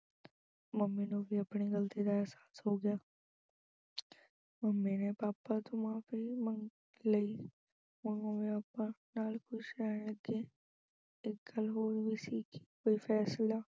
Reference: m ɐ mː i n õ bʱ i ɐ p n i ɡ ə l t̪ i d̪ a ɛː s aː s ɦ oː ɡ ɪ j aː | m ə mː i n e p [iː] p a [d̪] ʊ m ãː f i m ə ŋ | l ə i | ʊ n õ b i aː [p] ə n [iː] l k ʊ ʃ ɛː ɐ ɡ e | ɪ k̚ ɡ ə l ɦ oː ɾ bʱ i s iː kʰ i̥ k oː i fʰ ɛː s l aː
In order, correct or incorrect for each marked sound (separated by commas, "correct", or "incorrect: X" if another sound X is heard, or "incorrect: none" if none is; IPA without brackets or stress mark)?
incorrect: aː, incorrect: t̪, correct, incorrect: aː